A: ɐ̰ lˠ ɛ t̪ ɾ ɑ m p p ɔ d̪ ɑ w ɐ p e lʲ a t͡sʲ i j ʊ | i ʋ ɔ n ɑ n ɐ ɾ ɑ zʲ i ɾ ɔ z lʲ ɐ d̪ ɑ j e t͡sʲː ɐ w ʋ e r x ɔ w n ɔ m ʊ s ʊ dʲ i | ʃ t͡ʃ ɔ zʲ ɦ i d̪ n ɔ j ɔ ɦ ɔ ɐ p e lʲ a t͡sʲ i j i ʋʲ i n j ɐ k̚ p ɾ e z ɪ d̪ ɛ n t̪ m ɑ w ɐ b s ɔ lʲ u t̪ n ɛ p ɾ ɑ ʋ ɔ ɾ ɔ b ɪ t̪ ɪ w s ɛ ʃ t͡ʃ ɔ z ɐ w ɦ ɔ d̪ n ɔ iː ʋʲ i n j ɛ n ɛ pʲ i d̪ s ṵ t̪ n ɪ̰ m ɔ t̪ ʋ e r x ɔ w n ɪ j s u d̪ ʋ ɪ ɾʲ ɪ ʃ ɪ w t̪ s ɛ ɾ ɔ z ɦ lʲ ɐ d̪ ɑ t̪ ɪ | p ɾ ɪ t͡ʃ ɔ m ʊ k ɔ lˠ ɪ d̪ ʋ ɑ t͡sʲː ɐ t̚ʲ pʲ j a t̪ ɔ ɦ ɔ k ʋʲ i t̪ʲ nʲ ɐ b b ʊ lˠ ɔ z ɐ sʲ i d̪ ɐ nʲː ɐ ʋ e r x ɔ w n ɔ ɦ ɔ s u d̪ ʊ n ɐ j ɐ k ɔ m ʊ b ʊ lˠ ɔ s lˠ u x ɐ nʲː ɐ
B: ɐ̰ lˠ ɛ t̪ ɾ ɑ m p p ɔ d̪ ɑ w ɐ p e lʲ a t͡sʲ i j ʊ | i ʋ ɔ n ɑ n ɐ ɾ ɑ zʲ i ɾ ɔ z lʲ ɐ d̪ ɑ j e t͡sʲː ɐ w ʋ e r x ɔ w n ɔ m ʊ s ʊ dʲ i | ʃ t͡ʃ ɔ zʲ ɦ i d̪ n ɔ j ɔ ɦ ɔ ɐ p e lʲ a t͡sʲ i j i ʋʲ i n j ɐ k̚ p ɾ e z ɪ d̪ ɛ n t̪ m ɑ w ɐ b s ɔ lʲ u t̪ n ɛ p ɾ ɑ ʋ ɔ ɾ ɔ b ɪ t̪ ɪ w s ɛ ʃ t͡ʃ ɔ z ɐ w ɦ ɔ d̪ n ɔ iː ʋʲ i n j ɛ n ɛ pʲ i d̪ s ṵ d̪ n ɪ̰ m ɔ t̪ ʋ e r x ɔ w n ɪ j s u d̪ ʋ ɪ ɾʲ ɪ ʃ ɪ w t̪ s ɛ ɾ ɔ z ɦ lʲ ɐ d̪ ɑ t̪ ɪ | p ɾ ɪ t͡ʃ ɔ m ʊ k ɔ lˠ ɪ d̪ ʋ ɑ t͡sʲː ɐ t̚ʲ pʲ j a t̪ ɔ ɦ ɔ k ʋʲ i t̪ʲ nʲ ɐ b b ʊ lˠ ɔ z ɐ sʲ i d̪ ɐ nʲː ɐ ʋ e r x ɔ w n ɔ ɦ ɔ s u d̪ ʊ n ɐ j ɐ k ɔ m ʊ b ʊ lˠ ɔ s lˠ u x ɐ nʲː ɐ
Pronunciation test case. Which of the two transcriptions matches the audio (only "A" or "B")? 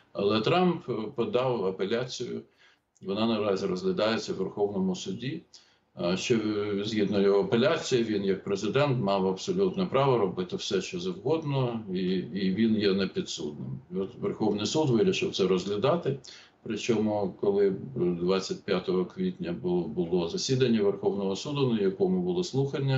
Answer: B